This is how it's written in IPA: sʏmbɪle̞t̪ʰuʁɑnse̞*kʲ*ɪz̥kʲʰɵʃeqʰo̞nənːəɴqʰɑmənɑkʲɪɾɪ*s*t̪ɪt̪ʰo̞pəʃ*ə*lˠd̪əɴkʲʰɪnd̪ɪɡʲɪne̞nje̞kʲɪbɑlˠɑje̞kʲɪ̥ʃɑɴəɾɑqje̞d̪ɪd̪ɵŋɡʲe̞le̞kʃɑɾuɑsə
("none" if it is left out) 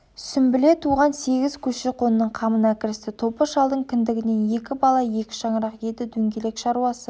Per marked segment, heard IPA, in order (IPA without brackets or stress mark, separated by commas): ɡʲ, s, ɑ